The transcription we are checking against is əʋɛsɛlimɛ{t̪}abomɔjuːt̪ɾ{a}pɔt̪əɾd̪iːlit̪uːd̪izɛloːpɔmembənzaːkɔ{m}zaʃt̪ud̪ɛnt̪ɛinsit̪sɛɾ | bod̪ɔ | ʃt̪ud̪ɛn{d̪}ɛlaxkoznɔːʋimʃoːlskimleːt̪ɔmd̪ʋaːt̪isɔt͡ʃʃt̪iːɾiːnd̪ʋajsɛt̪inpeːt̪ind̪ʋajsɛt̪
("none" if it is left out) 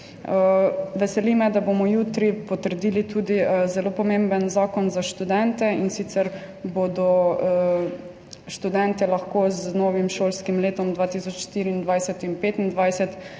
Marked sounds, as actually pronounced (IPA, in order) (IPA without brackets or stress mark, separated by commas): d̪, i, n, t̪